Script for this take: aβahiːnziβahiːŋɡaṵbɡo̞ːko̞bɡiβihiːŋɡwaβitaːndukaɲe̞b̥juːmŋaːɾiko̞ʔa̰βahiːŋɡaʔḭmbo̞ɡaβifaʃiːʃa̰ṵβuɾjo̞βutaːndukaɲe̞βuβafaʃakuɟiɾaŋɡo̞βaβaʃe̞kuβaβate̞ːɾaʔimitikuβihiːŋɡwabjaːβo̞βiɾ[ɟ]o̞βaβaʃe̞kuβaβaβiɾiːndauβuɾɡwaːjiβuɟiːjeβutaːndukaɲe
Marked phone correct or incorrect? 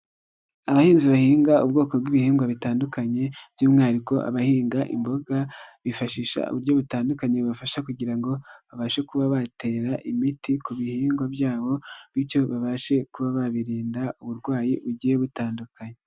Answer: incorrect